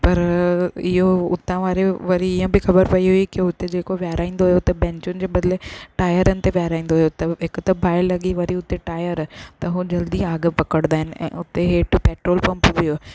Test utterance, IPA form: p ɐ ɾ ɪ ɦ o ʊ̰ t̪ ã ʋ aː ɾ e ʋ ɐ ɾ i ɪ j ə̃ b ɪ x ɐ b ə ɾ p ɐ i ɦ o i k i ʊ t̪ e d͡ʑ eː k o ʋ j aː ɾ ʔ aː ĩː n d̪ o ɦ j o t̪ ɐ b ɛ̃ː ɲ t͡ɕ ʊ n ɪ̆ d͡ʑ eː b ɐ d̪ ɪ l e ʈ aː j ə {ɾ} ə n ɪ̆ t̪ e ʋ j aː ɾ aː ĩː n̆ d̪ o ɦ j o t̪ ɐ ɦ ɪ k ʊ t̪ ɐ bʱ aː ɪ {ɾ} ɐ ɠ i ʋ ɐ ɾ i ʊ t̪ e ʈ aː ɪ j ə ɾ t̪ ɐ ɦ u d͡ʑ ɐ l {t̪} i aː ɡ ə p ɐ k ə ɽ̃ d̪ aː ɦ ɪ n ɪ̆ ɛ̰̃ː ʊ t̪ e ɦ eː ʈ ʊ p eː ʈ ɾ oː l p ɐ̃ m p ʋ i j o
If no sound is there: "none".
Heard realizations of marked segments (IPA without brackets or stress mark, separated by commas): ɾ, l, d̪